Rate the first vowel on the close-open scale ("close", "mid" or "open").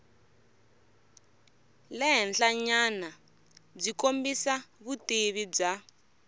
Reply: mid